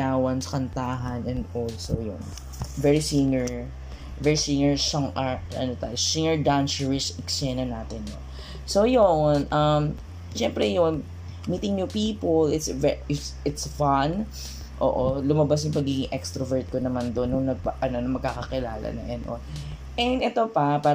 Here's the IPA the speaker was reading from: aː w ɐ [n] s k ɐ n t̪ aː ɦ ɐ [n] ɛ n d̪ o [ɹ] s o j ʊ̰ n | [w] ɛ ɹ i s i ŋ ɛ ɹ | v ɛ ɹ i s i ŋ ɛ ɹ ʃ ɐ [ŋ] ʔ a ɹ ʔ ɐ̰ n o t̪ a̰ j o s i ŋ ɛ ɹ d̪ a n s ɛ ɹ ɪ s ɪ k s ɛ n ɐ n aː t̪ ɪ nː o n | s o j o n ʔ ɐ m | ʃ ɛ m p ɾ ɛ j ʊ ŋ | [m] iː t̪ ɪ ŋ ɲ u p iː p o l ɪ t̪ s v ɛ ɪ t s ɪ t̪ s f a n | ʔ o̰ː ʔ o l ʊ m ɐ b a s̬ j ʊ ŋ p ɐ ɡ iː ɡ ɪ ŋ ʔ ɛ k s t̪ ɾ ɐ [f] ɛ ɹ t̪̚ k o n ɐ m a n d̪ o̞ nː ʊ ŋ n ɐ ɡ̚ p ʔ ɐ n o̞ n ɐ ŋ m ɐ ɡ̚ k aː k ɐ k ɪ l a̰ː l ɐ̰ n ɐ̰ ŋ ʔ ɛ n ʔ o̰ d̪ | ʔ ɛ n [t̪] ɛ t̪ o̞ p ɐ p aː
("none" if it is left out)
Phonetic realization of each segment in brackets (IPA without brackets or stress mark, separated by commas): n, n, l, v, ŋ, m, v, d̪